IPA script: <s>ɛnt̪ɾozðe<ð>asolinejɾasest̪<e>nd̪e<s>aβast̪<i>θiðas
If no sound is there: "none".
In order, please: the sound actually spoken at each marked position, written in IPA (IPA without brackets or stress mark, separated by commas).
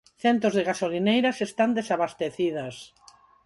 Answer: θ, ɣ, a, s, e